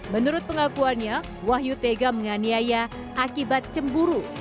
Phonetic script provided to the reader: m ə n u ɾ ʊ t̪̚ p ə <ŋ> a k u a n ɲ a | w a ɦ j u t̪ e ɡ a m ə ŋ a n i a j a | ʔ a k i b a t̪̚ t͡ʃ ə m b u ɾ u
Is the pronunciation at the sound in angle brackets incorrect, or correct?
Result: correct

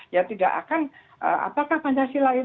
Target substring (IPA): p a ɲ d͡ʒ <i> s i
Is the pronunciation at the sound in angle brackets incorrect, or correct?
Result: incorrect: a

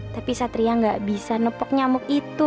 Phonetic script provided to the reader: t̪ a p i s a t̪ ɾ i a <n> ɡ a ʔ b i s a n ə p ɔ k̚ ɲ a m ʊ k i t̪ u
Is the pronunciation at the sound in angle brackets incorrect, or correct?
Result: incorrect: ŋ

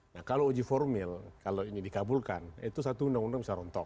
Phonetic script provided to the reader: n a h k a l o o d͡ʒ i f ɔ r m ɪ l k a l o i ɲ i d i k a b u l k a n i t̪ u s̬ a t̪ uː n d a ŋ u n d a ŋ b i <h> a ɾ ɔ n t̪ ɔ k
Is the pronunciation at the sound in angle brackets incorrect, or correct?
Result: incorrect: s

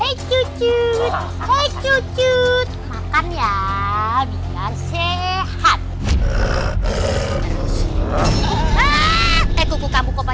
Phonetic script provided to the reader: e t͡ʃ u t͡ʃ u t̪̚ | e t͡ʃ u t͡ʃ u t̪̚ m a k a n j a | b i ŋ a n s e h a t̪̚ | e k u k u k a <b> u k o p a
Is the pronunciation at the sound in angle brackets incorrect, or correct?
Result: incorrect: m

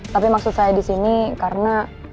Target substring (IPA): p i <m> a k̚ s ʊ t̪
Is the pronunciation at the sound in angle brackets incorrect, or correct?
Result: correct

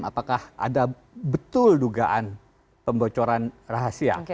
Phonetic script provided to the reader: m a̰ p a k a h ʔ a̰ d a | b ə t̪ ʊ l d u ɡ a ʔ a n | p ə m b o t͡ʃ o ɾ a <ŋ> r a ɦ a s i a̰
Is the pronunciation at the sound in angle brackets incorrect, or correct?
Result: incorrect: n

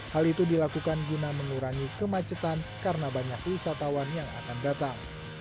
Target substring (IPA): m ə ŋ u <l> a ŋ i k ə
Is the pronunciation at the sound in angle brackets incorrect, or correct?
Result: incorrect: ɾ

